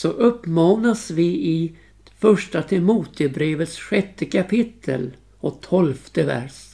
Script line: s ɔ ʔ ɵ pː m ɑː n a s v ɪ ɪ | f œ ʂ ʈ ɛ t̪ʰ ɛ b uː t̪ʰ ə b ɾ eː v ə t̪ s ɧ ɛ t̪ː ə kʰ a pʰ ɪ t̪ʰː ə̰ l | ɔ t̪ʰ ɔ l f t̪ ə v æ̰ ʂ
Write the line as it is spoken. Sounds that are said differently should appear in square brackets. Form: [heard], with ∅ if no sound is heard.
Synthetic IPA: s ɔ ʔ ɵ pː m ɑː n a s v ɪ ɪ | f œ ʂ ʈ [a] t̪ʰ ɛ [m] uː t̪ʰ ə b ɾ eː v ə t̪ s ɧ ɛ t̪ː ə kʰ a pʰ ɪ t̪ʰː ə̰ l | ɔ t̪ʰ ɔ l f t̪ ə v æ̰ ʂ